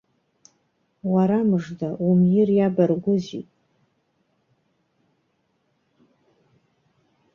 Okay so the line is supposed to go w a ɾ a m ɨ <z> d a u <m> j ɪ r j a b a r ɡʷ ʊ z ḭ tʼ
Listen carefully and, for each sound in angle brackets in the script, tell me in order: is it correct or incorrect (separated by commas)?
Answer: incorrect, correct